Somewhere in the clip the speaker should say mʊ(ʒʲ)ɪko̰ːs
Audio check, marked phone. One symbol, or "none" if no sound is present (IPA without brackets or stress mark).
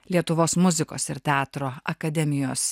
zʲ